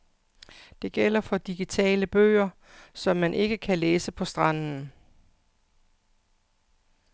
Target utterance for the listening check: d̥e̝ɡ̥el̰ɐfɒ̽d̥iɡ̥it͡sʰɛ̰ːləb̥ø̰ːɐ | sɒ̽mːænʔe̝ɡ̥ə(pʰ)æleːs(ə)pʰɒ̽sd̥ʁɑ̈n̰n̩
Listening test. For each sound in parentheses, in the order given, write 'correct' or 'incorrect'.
incorrect, correct

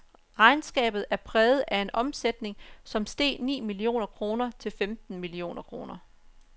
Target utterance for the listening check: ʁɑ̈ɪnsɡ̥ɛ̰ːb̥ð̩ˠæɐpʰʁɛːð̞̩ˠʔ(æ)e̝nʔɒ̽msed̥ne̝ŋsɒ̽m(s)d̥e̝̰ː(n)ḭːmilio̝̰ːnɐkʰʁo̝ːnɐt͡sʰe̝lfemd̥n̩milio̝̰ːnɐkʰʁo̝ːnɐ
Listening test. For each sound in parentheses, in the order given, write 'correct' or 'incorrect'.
correct, correct, correct

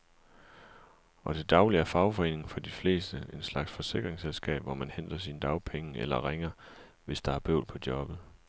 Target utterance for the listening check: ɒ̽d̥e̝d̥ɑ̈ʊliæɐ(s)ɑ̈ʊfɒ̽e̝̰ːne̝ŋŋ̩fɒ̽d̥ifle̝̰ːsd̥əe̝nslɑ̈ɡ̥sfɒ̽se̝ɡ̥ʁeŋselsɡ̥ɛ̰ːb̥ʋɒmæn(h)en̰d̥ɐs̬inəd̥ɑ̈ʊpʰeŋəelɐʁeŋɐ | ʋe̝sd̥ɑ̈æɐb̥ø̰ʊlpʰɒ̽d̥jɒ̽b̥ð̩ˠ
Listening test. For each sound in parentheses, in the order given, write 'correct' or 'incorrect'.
incorrect, correct

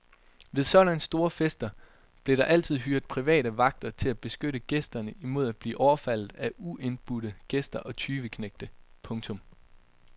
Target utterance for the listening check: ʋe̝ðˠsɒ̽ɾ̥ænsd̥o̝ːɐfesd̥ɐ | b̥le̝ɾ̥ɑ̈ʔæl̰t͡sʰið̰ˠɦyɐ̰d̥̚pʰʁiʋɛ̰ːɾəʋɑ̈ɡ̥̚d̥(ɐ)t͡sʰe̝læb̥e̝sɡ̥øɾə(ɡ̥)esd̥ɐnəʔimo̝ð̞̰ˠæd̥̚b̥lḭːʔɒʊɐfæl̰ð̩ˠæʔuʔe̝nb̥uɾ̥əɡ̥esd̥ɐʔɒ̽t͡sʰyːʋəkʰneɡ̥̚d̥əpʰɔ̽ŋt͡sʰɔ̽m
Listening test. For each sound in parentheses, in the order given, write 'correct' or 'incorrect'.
correct, correct

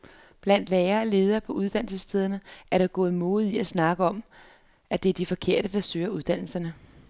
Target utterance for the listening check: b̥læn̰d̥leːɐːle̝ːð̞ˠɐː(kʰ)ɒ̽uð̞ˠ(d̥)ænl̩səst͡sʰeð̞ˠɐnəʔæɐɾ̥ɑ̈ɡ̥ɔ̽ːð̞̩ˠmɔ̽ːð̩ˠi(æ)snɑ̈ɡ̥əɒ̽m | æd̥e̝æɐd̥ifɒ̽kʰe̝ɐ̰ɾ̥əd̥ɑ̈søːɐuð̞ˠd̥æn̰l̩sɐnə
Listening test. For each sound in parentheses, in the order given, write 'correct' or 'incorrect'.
incorrect, correct, correct

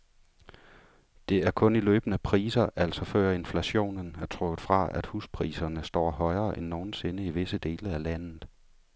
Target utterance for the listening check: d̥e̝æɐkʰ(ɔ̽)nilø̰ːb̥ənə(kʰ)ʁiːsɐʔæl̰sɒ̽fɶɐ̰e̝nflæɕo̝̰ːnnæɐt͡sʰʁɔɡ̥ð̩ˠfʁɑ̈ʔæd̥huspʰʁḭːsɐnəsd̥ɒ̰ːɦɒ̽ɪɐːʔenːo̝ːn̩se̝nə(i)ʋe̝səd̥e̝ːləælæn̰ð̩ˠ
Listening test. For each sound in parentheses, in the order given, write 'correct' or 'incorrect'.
correct, incorrect, correct

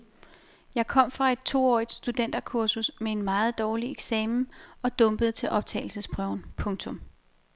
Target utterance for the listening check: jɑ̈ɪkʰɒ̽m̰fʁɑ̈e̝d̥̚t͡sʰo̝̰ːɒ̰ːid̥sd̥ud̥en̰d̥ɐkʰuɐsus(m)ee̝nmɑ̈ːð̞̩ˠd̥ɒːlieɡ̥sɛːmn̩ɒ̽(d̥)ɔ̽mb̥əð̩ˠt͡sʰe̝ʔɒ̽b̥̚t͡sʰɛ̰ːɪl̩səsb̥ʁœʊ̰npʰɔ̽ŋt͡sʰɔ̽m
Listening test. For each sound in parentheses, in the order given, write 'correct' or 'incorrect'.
correct, correct

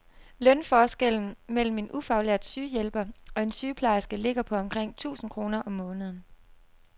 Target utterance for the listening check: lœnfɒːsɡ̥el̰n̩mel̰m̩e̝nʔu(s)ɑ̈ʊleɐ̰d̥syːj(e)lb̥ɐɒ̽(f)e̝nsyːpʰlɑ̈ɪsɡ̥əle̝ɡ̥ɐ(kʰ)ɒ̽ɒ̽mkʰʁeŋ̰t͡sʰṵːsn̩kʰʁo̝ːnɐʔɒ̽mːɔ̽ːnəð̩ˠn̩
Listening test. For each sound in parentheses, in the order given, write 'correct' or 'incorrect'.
incorrect, correct, incorrect, incorrect

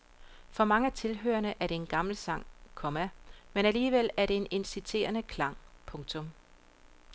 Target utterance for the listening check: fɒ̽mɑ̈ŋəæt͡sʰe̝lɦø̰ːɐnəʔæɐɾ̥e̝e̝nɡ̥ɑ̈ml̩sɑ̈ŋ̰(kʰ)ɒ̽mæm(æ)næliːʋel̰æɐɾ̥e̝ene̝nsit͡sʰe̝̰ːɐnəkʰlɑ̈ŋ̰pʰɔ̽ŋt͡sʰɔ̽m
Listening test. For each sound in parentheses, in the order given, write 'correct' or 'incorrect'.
correct, incorrect

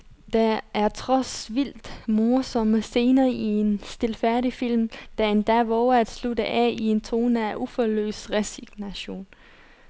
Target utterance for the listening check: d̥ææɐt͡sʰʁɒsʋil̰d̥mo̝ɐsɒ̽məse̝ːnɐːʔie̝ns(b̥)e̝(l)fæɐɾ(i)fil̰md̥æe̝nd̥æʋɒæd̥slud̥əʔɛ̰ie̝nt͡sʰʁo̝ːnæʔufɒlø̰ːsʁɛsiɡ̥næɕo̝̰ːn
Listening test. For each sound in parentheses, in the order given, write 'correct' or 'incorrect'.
incorrect, correct, correct

